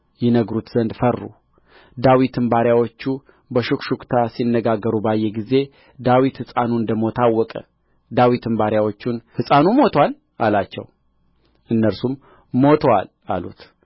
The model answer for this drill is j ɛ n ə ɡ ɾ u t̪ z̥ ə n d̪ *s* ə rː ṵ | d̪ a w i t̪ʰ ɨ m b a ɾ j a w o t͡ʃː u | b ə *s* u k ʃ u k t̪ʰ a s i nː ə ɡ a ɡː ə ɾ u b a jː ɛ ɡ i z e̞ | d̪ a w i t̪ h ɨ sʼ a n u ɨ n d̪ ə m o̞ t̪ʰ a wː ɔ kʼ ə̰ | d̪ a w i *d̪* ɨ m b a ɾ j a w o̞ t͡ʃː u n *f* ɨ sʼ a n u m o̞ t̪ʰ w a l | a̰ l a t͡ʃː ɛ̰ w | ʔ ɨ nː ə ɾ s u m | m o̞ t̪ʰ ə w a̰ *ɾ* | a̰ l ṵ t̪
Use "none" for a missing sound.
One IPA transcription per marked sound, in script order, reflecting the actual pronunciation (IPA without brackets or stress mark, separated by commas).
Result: f, ʃ, t̪, h, l